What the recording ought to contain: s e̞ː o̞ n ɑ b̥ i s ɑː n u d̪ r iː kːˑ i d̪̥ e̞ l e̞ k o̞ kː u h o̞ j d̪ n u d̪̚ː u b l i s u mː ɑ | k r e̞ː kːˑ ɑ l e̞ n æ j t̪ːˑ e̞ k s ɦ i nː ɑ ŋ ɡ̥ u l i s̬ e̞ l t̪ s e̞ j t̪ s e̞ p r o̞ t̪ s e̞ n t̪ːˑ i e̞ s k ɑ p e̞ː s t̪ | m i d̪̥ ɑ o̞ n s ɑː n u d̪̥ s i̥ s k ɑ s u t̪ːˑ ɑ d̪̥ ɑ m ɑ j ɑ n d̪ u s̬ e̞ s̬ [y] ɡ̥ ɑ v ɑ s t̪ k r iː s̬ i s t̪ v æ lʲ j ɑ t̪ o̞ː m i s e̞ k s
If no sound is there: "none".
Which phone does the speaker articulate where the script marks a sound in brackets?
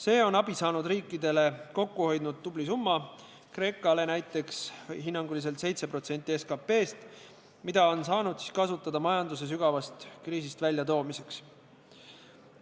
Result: y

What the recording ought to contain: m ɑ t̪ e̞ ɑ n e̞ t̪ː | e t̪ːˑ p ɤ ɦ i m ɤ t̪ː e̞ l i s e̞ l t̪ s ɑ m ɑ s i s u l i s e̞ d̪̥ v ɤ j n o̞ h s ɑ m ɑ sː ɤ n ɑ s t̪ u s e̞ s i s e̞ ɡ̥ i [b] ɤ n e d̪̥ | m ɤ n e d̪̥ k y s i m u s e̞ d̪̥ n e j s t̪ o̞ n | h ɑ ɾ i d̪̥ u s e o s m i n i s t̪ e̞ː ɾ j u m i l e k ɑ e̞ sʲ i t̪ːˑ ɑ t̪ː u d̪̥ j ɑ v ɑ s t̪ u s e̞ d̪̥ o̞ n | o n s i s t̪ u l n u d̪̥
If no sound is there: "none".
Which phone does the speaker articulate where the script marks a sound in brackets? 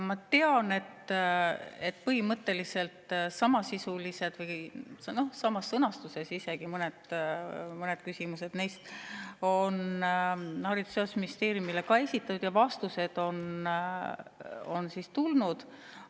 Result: m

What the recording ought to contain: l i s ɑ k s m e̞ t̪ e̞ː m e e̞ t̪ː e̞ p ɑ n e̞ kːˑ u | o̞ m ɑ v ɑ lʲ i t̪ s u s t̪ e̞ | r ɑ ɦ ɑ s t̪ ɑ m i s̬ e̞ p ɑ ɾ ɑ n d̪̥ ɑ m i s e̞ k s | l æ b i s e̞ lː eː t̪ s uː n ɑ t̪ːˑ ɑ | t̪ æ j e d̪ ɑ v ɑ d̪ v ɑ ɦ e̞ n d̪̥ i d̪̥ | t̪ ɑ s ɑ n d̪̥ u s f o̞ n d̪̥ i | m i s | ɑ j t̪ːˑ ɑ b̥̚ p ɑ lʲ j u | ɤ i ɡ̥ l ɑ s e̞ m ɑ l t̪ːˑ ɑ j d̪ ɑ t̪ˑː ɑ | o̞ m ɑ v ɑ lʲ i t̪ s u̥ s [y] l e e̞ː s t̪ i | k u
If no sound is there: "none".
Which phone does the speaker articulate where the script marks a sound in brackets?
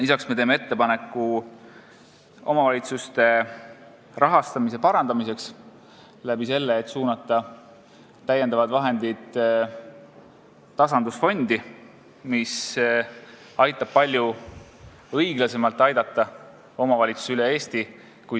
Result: y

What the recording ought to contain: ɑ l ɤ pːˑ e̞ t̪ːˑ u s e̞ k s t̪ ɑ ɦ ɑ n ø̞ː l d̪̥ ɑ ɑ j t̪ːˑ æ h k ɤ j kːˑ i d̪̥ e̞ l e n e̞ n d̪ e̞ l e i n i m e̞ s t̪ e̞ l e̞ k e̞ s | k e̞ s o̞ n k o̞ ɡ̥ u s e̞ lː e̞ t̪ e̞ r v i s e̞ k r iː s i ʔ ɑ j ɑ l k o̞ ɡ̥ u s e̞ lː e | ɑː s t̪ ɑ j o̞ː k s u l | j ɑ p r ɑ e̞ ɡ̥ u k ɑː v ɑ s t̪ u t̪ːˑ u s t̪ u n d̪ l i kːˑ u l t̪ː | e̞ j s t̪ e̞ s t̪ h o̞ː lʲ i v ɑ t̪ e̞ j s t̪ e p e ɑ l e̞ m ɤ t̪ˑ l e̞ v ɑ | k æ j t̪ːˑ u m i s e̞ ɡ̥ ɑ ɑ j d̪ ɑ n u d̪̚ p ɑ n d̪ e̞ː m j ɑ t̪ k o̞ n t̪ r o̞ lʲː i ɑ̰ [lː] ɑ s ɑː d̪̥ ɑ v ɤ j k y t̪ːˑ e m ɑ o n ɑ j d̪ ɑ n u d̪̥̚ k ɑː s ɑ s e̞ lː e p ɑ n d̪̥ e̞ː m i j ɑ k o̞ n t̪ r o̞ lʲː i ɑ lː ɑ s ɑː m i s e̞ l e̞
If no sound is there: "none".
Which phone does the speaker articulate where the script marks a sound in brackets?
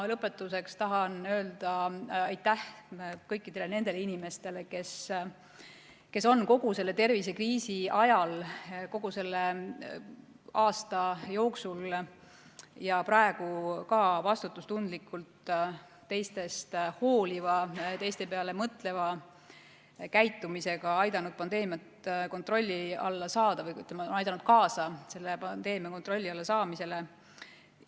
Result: lː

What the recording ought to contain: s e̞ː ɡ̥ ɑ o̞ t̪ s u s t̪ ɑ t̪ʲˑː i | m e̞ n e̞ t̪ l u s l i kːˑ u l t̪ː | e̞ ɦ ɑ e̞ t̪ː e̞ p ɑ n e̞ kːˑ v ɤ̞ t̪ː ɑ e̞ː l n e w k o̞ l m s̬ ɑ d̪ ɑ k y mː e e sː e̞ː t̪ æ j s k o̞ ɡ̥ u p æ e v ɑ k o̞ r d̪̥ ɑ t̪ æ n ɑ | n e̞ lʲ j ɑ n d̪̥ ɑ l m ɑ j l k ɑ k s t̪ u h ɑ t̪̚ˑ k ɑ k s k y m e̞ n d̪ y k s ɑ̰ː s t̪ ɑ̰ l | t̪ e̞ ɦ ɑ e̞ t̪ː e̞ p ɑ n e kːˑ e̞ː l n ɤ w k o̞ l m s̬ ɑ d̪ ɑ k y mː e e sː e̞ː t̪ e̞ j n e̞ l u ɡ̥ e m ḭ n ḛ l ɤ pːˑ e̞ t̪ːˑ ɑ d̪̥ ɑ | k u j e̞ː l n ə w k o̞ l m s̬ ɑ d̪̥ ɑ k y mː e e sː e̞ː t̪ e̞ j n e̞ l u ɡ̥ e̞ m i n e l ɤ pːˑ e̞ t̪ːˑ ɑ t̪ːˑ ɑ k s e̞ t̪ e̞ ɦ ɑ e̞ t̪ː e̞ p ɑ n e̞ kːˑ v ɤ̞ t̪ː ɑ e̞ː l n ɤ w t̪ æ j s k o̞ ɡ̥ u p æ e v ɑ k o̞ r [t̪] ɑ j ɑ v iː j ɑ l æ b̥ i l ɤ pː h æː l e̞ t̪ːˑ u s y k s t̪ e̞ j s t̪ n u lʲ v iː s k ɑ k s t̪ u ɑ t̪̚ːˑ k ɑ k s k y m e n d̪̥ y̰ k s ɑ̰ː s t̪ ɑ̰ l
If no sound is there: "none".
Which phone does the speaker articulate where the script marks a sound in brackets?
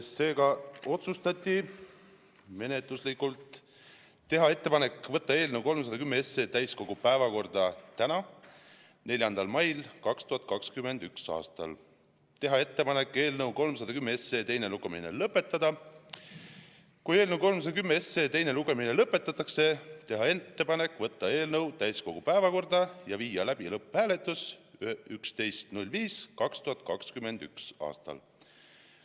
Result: d̪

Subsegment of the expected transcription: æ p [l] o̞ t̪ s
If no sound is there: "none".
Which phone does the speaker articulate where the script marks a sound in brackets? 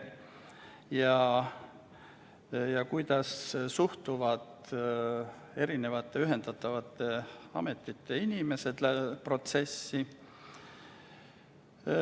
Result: r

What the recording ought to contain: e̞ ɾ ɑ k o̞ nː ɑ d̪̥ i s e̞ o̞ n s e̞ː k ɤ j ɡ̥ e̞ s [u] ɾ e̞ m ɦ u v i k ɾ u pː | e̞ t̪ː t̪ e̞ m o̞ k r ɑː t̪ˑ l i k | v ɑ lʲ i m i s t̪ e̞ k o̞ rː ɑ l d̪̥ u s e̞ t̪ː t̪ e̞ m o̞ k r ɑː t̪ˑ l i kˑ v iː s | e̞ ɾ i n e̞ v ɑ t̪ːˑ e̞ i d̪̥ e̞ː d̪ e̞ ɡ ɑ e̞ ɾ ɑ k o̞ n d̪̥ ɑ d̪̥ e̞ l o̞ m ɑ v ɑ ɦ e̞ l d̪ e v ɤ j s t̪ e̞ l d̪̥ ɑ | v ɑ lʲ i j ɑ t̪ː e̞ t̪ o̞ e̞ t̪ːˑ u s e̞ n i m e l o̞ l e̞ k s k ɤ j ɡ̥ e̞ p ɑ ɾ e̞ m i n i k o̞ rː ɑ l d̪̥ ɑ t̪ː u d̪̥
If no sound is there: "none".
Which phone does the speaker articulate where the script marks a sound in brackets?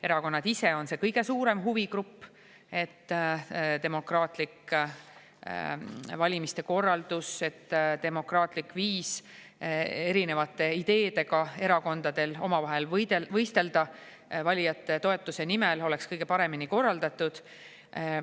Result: uː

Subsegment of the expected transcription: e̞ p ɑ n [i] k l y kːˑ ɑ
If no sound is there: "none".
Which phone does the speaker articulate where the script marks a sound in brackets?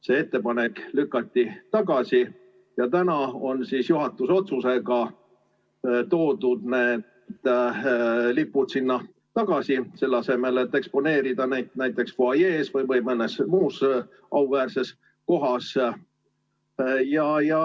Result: e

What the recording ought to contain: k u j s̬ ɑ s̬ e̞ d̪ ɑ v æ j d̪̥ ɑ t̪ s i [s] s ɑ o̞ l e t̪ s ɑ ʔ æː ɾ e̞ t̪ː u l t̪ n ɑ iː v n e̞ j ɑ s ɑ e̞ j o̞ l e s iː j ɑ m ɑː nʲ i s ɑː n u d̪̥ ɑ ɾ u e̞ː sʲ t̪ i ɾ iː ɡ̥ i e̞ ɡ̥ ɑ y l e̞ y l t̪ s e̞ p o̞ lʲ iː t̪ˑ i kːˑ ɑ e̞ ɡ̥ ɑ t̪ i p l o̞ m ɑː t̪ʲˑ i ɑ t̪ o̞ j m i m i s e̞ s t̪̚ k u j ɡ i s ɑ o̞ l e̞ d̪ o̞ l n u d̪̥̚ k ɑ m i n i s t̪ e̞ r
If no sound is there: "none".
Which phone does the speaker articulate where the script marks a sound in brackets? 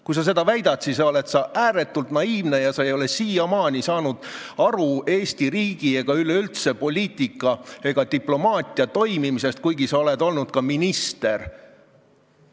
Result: s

